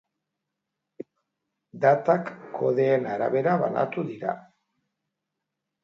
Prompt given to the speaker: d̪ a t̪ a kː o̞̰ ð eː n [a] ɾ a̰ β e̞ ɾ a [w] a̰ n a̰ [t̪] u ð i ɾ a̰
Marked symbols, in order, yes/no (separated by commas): yes, no, yes